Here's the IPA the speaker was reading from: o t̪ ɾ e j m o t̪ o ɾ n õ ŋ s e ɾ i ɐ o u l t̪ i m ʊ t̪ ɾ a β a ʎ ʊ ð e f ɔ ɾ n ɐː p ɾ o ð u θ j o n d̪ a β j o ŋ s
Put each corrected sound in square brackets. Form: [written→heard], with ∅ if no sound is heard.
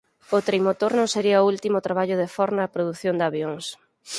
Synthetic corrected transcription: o t̪ ɾ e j m o t̪ o ɾ n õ ŋ s e ɾ i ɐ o u l t̪ i m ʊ t̪ ɾ a β a ʎ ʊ ð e f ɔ ɾ n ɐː p ɾ o ð u θ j o n d̪ a β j o ŋ s